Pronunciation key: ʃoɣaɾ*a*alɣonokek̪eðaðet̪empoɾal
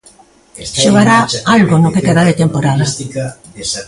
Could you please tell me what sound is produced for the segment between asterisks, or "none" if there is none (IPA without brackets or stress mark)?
a